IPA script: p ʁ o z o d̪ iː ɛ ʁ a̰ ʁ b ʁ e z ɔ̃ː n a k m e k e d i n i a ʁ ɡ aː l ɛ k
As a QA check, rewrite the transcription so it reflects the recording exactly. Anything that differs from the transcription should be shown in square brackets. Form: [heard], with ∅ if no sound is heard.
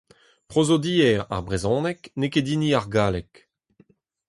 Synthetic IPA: p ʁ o z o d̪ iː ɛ ʁ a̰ ʁ b ʁ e z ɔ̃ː n [ɛ] k [n] e k e d i n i a ʁ ɡ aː l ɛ k